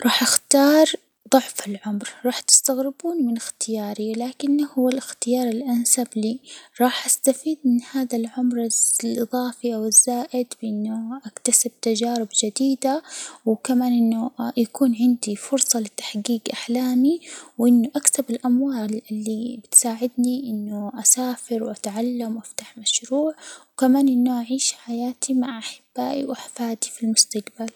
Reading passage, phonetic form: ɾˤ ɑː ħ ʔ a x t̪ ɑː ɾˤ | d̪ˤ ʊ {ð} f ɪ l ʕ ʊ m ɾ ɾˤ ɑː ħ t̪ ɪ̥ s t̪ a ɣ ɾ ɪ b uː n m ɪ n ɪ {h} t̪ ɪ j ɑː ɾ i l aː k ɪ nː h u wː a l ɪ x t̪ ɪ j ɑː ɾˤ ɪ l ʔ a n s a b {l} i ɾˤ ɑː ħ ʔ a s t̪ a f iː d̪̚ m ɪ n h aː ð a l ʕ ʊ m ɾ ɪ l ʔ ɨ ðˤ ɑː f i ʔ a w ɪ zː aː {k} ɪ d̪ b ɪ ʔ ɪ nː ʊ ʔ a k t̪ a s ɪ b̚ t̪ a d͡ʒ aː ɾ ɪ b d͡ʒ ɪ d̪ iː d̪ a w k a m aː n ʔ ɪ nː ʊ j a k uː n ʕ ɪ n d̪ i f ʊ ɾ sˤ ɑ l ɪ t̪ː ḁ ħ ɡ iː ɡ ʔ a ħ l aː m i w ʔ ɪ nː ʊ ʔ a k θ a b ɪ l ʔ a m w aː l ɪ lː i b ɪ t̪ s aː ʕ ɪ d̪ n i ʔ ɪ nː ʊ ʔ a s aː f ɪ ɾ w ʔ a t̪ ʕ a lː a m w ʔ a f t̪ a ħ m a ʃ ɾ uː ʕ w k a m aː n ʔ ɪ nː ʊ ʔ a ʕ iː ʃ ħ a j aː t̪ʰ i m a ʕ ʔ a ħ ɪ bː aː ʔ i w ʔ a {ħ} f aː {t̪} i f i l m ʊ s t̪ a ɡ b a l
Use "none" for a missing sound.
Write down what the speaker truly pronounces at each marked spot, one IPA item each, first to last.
ʕ, x, l, ʔ, ħ, d̪

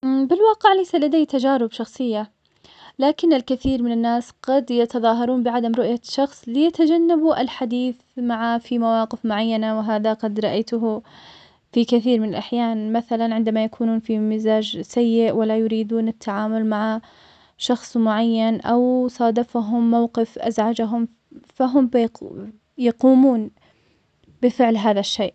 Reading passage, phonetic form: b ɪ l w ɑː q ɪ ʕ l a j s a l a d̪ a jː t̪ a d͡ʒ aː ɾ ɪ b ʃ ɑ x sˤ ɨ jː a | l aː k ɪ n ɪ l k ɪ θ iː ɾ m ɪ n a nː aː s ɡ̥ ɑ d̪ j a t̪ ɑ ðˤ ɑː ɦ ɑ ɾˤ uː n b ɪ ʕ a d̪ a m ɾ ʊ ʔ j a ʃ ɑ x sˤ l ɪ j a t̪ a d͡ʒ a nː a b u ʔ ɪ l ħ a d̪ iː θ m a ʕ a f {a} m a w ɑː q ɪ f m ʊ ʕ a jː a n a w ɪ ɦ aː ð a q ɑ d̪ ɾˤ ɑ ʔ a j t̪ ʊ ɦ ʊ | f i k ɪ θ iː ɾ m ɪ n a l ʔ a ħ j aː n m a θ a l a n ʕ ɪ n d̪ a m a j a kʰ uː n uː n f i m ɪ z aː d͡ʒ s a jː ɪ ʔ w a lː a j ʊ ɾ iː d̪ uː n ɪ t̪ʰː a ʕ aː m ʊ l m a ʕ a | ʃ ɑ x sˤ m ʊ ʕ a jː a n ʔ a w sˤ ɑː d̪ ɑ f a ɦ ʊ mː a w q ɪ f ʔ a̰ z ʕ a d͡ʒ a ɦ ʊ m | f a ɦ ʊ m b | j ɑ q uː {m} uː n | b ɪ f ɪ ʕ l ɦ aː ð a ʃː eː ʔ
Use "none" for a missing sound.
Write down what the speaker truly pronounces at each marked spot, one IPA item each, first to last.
i, m

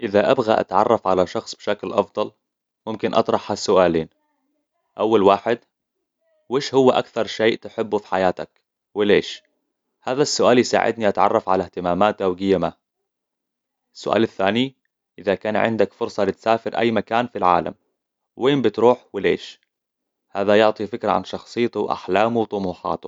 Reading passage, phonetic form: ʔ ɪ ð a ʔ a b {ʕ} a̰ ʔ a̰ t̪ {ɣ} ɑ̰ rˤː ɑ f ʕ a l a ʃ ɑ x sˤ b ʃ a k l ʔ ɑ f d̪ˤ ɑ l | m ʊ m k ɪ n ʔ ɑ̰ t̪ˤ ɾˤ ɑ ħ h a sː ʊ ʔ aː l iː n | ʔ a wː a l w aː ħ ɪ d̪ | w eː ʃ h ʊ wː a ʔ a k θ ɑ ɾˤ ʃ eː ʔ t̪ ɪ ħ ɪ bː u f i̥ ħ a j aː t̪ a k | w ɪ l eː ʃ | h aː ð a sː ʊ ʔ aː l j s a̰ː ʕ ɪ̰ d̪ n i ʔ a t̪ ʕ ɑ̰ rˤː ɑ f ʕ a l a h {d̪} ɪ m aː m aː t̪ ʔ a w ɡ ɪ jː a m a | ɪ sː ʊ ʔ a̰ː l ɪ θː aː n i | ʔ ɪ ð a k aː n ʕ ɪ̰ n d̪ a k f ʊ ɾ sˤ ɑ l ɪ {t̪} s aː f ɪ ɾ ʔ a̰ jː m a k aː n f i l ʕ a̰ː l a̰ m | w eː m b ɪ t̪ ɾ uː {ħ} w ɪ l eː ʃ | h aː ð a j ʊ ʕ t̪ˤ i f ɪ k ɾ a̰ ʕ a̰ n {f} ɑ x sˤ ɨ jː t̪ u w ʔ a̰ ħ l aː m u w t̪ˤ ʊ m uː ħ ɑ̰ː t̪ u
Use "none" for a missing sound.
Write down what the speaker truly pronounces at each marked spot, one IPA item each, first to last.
ɣ, ʕ, t̪, t̪, ħ, ʃ

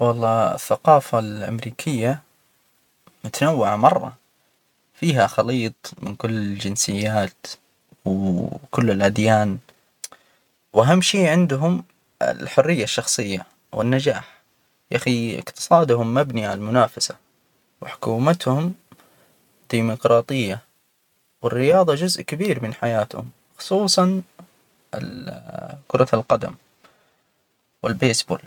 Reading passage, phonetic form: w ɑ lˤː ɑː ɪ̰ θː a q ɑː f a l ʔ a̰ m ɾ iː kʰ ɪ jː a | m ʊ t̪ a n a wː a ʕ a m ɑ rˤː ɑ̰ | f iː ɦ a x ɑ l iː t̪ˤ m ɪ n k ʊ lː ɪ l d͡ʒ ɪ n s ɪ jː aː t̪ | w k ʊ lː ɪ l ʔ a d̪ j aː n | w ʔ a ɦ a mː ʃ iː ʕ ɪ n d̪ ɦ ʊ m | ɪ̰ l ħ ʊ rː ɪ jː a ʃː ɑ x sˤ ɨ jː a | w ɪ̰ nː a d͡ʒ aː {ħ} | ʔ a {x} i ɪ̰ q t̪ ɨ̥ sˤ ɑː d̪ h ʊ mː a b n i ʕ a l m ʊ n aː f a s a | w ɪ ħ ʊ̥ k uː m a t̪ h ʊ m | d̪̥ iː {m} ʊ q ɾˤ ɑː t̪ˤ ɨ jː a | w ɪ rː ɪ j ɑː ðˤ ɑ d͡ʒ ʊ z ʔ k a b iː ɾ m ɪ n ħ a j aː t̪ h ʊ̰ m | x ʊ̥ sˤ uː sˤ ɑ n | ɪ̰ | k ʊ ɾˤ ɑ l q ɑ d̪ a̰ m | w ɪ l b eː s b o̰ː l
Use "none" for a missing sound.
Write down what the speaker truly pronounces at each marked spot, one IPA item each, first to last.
ħ, x, m

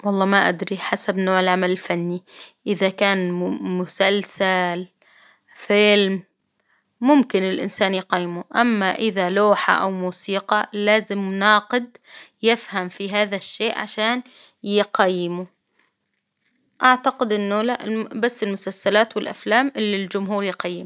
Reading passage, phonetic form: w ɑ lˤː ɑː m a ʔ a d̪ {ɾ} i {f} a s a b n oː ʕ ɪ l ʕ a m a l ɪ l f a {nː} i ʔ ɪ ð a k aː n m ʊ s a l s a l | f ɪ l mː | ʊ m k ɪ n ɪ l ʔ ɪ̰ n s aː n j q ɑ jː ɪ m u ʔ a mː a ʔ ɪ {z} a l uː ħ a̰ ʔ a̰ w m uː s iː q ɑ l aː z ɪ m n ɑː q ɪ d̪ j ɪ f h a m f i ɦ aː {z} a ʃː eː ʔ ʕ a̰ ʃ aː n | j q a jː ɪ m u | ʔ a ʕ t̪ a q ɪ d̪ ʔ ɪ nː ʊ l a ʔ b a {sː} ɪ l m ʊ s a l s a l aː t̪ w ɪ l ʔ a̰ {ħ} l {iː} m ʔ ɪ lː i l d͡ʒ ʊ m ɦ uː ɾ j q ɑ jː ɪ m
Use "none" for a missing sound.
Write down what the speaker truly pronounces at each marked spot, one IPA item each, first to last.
ɾ, ħ, nː, ð, ð, sː, f, aː

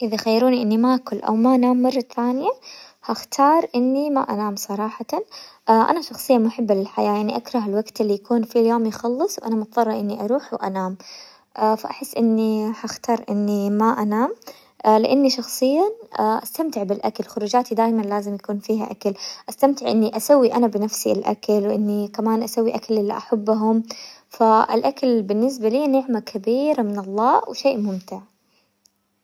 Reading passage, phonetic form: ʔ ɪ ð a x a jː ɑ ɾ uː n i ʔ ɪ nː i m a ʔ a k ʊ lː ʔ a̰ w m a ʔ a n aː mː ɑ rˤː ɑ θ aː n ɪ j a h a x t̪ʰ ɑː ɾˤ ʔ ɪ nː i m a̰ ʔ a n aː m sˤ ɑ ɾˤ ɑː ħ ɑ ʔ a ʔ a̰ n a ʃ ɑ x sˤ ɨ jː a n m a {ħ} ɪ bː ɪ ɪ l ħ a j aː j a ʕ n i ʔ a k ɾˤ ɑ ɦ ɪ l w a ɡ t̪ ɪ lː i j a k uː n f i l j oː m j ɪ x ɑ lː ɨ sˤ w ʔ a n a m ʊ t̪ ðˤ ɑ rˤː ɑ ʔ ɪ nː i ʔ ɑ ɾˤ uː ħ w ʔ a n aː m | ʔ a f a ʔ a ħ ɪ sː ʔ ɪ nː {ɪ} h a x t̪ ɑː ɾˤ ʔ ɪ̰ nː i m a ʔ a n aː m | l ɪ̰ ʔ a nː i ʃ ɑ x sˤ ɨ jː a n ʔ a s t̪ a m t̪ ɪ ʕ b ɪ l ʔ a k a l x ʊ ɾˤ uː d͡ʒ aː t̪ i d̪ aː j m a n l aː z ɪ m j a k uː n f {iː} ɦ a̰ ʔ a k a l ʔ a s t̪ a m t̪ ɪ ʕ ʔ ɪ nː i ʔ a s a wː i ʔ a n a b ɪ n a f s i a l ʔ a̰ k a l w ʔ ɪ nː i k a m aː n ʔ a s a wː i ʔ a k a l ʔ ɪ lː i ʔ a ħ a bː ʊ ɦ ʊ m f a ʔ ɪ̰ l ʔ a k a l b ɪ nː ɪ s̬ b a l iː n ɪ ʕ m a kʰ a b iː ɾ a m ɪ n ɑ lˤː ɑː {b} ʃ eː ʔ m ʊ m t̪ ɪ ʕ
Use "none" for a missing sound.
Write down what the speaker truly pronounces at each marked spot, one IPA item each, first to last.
ħ, i, iː, w

